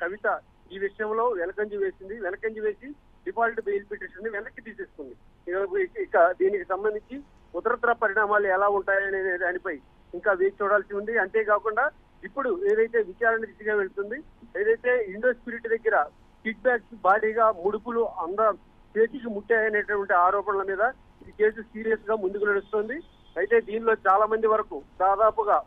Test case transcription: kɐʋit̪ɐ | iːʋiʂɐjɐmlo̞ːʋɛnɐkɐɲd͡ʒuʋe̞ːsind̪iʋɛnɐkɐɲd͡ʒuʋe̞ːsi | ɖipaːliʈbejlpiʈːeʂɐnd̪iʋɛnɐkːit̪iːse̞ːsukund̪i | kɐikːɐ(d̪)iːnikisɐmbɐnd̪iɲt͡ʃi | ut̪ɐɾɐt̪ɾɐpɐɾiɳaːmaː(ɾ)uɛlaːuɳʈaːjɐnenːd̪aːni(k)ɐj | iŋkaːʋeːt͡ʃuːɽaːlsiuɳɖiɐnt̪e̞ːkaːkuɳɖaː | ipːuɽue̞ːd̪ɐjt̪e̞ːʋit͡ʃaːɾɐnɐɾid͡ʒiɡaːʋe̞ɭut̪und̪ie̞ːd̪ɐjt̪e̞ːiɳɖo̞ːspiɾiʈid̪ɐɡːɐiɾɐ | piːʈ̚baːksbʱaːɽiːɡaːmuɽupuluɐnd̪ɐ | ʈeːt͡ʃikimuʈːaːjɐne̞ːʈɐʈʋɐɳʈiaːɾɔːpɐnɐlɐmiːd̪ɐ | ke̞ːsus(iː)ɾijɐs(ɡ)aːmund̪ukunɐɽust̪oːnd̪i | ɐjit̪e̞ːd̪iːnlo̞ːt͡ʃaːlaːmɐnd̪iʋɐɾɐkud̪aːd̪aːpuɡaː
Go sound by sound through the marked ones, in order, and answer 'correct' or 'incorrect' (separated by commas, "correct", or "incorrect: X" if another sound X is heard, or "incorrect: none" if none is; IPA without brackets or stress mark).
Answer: correct, incorrect: l, incorrect: p, correct, correct